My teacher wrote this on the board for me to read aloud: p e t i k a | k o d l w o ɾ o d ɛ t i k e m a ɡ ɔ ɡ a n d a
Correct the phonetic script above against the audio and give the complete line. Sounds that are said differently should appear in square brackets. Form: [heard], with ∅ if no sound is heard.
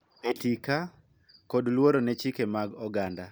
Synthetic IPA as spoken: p e t i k a | k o d l w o ɾ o [n] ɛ [t͡ʃ] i k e m a ɡ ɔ ɡ a n d a